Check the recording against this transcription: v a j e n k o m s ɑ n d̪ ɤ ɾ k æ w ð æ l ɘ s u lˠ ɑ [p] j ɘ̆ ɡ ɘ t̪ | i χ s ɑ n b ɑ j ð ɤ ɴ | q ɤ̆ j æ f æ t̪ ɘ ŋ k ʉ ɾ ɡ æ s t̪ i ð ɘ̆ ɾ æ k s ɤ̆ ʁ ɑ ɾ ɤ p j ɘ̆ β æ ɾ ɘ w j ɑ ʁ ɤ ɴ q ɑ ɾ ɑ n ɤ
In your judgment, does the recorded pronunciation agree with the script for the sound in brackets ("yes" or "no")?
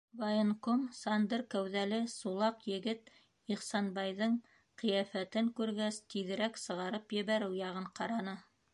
no